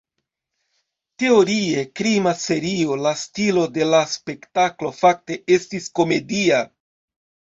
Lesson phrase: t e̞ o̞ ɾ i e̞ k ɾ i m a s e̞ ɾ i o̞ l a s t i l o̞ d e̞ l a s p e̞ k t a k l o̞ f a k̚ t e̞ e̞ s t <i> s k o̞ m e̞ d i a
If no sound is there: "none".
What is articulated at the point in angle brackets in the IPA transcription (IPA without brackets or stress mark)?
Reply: i